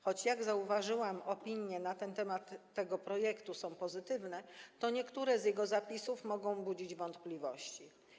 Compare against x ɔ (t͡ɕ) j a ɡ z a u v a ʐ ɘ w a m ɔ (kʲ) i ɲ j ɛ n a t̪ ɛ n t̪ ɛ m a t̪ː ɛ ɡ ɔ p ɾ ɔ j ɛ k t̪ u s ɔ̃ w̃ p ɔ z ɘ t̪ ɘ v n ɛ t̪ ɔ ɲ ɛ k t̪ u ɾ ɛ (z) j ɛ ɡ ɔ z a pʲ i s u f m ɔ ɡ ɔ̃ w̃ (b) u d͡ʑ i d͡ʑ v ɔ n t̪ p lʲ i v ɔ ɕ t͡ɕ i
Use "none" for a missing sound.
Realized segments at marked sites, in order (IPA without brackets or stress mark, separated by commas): t͡ɕ, pʲ, z, b